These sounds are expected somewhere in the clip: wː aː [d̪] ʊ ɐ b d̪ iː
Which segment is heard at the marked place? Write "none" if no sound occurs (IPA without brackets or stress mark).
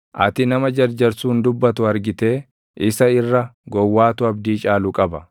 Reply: t̪